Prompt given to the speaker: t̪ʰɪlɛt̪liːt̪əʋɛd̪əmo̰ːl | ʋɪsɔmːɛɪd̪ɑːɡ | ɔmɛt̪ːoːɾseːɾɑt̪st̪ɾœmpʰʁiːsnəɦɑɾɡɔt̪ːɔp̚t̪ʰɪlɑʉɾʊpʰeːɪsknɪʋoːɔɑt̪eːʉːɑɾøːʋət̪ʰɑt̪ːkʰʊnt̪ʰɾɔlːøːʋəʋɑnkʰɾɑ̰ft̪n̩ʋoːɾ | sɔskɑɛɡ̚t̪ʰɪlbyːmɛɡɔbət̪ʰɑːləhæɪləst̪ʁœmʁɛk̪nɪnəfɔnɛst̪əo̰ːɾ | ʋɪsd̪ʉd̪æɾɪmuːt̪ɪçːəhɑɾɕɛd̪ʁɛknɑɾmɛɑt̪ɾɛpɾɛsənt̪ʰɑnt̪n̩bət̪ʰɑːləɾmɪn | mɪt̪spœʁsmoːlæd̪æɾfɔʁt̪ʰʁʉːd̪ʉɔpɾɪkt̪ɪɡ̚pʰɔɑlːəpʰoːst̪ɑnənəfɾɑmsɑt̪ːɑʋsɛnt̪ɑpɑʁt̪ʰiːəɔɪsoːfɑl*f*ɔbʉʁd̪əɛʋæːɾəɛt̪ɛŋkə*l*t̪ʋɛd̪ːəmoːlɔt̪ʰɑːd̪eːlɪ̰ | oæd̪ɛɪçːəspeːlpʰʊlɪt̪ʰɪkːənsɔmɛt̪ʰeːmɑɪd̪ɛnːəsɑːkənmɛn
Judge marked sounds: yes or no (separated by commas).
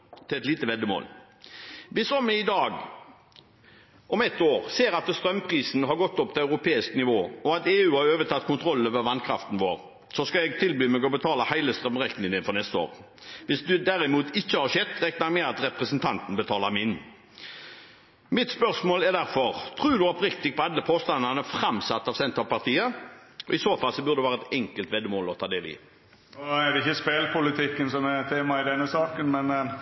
no, yes